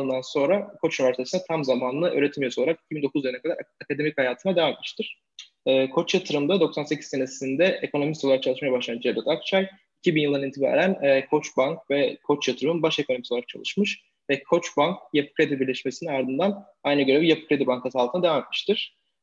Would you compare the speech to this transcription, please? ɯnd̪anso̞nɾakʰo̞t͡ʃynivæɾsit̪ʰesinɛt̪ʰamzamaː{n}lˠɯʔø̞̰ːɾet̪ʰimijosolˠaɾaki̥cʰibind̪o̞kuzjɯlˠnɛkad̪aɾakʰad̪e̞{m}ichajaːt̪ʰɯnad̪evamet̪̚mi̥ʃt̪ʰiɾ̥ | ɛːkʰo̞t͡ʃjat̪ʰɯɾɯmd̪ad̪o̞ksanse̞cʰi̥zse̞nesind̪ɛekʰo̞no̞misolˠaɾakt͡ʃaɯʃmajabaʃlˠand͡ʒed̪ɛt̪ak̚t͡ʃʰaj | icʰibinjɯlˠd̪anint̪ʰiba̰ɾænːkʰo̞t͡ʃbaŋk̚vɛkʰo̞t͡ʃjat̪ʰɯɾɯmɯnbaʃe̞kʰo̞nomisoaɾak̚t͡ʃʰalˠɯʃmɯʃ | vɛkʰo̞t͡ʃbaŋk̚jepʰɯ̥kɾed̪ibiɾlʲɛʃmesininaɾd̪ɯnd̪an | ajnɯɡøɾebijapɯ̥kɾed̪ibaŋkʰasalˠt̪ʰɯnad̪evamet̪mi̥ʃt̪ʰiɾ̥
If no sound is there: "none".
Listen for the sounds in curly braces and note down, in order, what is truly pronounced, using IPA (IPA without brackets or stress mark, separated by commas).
n, m